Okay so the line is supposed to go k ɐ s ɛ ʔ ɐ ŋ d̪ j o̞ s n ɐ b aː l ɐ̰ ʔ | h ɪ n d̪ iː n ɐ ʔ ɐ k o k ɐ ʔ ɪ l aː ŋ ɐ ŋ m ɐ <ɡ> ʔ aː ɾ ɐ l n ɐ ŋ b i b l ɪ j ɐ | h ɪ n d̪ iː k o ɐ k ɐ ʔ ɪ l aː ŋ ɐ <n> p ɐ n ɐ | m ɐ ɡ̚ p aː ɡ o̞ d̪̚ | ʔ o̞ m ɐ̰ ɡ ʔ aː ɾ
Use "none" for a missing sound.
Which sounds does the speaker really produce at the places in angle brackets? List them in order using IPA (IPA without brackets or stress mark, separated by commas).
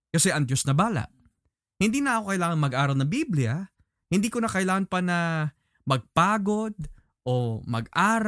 ɡ, n